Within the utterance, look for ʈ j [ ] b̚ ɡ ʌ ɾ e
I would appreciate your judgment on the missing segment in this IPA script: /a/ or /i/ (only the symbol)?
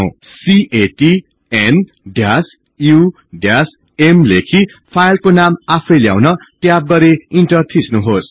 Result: a